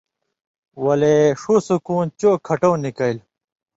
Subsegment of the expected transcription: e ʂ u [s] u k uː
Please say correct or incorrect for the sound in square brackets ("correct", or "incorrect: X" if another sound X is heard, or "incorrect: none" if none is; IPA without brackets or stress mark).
correct